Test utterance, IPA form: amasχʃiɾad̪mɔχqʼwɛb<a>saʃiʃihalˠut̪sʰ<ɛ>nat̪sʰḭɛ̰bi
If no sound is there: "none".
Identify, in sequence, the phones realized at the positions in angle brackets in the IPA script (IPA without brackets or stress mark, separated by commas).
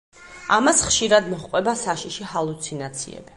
a, i